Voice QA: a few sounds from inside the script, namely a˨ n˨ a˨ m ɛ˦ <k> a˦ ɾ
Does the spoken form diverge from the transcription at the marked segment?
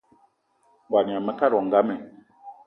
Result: no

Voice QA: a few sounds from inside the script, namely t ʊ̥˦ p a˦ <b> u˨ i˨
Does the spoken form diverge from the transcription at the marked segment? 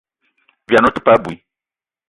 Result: no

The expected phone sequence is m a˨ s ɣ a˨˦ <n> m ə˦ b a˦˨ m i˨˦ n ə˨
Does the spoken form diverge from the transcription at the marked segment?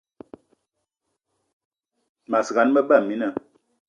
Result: no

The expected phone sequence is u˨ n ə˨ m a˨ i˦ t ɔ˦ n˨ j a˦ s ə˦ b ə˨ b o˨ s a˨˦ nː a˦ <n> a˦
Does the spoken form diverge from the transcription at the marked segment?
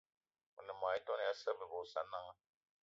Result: yes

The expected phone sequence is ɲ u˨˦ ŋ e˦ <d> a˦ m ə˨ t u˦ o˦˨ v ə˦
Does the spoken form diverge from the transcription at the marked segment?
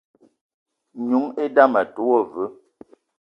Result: no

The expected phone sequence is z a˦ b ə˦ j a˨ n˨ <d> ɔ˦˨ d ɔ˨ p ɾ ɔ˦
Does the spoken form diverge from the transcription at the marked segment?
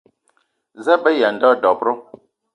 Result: no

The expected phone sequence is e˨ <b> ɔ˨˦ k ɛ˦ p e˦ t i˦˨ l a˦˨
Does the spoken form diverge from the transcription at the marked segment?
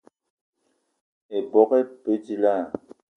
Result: no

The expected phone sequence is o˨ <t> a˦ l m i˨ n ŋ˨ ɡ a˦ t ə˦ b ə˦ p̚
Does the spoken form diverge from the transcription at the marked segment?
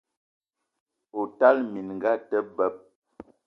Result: no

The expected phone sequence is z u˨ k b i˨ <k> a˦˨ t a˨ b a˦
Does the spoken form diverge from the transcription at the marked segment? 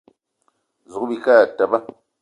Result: no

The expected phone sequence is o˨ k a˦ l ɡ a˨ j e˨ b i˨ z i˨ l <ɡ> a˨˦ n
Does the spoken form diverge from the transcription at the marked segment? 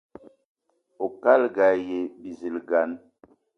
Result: no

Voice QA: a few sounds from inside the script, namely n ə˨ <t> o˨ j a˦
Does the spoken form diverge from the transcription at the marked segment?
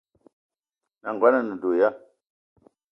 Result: yes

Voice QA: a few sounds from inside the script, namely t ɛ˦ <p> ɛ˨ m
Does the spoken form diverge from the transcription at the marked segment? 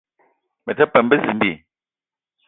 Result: no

